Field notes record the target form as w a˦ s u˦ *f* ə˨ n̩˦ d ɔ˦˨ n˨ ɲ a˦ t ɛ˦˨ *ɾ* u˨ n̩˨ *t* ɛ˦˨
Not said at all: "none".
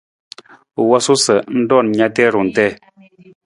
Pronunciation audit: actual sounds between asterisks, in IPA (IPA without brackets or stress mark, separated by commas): s, ɾ, t